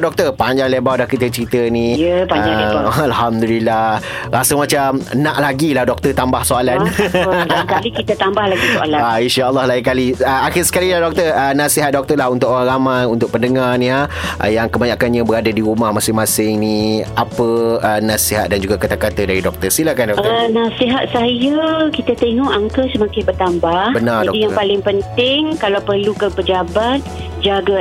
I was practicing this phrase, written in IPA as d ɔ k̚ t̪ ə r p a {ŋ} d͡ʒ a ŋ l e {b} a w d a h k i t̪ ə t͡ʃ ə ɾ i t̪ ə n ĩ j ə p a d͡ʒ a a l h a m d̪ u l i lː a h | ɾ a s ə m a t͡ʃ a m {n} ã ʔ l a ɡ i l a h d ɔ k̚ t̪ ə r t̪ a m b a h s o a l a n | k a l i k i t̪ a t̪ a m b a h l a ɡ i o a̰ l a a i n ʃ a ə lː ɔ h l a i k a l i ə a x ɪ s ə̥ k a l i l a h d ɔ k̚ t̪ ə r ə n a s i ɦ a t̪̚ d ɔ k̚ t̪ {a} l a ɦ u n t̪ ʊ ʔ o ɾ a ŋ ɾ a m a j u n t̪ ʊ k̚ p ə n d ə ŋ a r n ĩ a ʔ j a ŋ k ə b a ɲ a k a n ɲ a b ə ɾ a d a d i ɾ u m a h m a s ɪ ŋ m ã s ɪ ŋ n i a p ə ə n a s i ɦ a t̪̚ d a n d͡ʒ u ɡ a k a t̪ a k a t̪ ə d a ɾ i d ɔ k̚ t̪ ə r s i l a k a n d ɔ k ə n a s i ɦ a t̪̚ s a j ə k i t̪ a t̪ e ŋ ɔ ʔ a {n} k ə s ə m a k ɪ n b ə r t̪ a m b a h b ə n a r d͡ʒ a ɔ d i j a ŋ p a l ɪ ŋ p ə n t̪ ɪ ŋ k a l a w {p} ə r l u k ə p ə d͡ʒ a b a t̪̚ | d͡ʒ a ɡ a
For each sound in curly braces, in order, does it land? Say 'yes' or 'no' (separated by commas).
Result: no, yes, yes, no, no, yes